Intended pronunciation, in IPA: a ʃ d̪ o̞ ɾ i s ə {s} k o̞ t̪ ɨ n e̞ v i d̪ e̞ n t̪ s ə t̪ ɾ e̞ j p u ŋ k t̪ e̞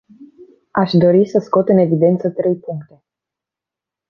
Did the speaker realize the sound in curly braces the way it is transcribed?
yes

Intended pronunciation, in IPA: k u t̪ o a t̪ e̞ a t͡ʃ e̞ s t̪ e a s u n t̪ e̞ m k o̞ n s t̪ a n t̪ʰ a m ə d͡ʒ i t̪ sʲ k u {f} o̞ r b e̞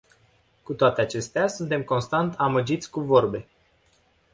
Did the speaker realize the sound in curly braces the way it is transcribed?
no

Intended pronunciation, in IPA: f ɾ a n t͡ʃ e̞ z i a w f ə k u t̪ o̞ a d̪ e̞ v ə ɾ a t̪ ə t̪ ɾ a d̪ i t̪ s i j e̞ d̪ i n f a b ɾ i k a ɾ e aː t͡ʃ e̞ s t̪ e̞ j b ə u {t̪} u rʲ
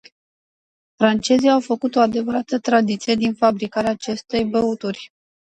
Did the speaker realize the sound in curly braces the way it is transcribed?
yes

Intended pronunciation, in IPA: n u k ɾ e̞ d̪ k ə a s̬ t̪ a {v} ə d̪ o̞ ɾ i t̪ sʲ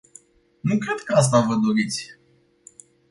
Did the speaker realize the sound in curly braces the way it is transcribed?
yes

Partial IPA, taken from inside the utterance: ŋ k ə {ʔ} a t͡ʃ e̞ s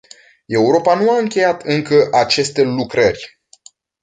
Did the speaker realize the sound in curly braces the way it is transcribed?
yes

